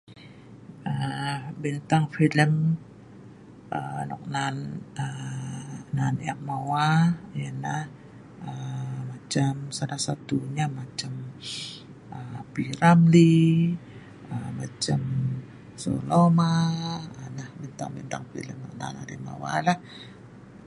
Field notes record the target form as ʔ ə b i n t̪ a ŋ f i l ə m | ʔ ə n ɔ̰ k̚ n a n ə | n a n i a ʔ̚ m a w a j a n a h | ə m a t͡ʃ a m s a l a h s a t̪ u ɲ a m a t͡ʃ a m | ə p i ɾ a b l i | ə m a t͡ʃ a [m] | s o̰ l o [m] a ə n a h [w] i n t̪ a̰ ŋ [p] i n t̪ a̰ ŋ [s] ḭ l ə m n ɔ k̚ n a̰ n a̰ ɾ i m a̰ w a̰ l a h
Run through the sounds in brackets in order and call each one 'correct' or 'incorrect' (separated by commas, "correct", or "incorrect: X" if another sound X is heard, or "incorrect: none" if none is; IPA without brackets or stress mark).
correct, correct, incorrect: b, incorrect: b, incorrect: f